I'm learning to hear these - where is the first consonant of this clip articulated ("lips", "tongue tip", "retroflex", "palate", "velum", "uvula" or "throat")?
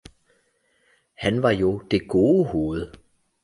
throat